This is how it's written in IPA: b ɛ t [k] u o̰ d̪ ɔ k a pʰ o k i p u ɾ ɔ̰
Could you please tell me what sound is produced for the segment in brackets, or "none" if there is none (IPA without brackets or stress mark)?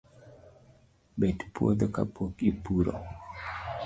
p